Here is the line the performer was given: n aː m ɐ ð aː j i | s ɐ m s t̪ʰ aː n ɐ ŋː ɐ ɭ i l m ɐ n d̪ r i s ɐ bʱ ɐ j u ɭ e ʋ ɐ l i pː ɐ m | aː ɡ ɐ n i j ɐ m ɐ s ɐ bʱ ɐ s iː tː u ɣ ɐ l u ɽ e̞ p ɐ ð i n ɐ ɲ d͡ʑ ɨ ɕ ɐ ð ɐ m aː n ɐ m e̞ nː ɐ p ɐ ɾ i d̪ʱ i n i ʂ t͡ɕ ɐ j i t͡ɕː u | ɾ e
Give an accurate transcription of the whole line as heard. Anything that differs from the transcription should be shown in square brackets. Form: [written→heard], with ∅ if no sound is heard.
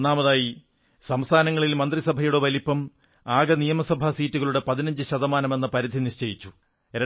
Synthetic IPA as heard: n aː m ɐ ð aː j i | s ɐ m s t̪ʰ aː n ɐ ŋː ɐ ɭ i l m ɐ n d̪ r i s ɐ bʱ ɐ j u [ɭ→ɽ] e ʋ ɐ l i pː ɐ m | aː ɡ ɐ n i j ɐ m ɐ s ɐ bʱ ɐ s iː tː u ɣ ɐ [l→ɭ] u ɽ e̞ p ɐ ð i n ɐ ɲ d͡ʑ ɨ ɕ ɐ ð ɐ m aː n ɐ m e̞ nː ɐ p ɐ ɾ i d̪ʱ i n i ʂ t͡ɕ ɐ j i t͡ɕː u | ɾ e